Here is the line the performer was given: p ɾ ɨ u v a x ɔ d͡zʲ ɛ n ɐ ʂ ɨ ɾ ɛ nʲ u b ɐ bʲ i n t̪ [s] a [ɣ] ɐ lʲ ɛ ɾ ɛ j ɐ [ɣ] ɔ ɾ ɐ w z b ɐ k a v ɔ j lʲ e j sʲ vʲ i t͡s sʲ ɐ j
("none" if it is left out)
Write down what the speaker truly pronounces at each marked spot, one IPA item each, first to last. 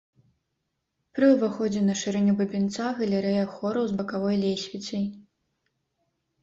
s, ɣ, x

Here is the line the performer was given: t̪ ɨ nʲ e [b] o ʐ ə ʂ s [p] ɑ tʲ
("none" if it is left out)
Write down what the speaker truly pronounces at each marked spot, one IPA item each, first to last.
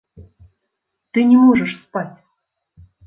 m, p

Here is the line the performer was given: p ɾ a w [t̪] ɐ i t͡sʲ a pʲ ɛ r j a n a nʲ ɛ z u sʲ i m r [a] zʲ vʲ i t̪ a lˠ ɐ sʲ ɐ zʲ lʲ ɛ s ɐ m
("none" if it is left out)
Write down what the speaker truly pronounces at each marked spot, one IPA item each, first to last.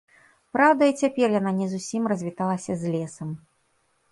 d̪, ɐ

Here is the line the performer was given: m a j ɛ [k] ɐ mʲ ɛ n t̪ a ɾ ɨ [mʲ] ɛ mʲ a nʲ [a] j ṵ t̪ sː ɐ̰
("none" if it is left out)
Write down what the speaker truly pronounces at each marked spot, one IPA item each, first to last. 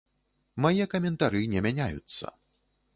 k, nʲ, a

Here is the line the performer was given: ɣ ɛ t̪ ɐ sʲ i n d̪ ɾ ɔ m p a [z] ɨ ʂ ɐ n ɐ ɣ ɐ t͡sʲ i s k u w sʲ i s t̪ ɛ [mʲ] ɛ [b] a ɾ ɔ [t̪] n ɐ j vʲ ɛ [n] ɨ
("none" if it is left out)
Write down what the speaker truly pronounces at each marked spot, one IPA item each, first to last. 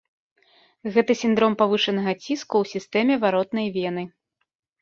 v, mʲ, v, t̪, n

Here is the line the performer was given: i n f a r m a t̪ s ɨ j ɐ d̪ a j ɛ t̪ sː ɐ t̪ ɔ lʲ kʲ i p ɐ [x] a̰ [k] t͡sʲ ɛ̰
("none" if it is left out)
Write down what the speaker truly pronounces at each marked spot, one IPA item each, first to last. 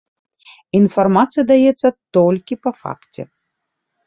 f, k

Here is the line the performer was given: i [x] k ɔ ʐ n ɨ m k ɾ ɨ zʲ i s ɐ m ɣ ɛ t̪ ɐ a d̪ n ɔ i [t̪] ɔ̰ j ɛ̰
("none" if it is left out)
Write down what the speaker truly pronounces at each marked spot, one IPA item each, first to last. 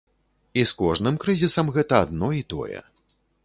s, t̪

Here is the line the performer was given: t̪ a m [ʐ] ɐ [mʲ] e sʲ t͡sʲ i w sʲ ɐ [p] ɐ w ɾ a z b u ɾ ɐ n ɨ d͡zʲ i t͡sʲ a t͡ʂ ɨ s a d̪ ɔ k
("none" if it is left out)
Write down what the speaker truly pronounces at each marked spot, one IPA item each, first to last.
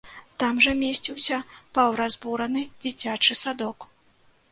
ʐ, mʲ, p

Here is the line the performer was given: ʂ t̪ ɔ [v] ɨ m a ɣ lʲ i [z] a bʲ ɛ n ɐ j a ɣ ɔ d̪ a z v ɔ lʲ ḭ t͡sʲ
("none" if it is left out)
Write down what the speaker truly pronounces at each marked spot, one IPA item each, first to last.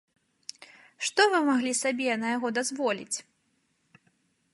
v, s

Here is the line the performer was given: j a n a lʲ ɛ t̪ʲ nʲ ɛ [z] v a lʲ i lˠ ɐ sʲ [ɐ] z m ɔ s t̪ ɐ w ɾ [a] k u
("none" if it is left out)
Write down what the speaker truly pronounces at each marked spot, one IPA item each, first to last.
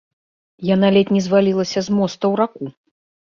z, ɐ, a

